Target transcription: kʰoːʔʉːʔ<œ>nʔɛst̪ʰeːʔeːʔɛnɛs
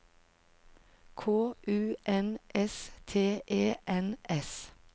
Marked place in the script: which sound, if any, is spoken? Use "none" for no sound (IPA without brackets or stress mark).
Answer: ɛ